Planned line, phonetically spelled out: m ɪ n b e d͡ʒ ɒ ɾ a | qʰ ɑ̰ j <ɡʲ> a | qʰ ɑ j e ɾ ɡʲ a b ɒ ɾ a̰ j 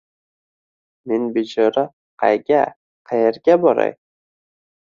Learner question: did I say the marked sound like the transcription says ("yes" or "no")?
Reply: yes